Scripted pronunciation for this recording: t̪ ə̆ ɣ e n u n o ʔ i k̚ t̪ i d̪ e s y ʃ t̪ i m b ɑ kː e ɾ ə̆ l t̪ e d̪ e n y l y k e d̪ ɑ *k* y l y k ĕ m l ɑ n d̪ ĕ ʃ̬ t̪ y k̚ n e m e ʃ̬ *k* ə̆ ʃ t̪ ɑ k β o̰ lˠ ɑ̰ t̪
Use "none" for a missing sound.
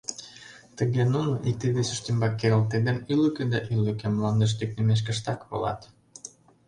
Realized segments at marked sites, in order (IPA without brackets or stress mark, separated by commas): ʔ, k